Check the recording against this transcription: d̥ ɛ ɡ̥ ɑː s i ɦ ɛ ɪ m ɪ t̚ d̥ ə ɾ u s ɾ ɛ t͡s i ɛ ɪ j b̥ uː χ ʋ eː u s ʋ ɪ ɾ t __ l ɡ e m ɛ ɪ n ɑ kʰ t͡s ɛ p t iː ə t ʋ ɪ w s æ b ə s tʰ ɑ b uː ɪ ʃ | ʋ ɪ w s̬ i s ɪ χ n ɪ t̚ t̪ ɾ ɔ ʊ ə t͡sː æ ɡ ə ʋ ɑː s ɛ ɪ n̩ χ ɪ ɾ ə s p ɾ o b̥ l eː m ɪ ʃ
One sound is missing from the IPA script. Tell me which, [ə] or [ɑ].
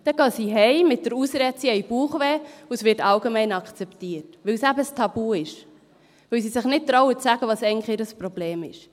ɑ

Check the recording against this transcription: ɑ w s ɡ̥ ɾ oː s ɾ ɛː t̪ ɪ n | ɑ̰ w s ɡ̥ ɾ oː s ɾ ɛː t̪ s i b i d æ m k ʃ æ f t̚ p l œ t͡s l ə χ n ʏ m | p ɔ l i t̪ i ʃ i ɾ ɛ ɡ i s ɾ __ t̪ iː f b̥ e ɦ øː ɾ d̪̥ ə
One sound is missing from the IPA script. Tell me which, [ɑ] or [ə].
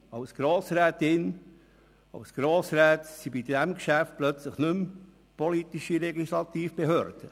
ɑ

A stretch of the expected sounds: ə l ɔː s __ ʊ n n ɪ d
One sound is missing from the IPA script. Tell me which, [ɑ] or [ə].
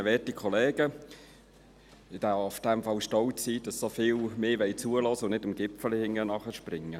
ə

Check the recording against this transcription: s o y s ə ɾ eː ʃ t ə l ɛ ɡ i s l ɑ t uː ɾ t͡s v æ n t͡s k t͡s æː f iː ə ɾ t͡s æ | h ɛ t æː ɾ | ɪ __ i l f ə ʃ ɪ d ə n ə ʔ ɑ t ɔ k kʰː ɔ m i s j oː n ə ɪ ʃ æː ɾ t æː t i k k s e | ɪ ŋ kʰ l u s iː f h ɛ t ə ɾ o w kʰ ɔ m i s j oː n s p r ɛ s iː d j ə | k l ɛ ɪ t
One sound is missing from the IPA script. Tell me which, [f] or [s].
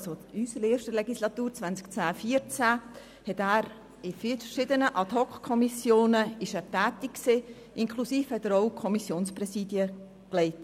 f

